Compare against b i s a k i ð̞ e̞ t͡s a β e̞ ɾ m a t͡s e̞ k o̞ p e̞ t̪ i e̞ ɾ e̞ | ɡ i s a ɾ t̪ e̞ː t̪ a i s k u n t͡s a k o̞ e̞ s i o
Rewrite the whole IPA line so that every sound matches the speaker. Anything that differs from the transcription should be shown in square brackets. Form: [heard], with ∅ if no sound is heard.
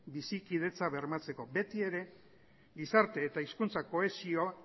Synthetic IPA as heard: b i s [i] k i ð̞ e̞ t͡s a β e̞ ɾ m a t͡s e̞ k o̞ [b] e̞ t̪ i e̞ ɾ e̞ | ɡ i s a ɾ t̪ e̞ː t̪ a i s k u n t͡s a k o̞ e̞ s i o